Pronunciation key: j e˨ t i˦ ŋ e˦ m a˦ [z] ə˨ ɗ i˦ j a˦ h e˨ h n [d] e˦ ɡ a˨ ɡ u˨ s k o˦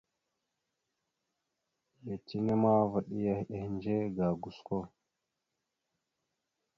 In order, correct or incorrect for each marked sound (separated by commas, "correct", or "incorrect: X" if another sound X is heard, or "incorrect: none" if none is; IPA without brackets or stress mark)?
incorrect: v, incorrect: d͡ʒ